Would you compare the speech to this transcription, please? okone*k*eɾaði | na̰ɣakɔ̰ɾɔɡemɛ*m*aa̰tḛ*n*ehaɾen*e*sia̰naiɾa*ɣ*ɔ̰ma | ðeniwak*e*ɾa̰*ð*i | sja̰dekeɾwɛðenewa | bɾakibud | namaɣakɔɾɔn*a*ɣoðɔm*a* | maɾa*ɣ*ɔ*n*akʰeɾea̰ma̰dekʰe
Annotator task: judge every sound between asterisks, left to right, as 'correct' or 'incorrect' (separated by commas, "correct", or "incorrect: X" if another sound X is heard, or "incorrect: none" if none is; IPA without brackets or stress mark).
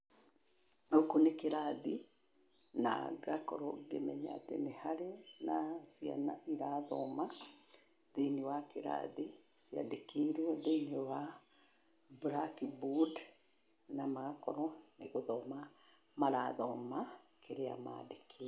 correct, incorrect: ɲ, correct, incorrect: a, incorrect: ð, correct, correct, incorrect: e, correct, incorrect: ð, incorrect: m